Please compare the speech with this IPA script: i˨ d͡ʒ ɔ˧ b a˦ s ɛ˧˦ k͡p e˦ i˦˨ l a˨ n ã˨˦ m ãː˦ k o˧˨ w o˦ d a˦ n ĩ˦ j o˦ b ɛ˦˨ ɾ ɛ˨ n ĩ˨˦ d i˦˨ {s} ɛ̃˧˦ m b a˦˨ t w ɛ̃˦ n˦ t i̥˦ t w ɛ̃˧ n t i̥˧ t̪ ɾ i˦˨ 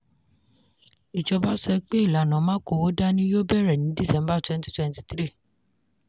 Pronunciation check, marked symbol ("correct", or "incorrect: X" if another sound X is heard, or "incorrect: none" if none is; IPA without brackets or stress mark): correct